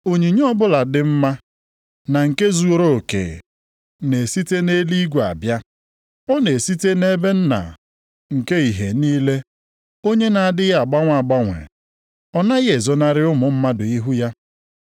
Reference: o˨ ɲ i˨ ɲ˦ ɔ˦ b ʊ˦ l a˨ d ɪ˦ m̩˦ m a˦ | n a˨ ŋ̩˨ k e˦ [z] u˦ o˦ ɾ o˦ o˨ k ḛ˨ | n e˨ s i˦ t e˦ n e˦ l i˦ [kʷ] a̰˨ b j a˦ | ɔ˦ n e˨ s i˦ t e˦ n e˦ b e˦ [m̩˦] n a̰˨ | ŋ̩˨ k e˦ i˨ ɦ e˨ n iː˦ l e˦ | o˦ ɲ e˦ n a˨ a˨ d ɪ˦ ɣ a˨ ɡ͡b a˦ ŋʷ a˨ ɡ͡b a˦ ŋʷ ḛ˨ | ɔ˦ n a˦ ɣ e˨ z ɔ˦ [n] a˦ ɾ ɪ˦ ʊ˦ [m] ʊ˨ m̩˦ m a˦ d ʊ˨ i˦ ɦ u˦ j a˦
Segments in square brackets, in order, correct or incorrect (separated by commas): correct, incorrect, incorrect, correct, correct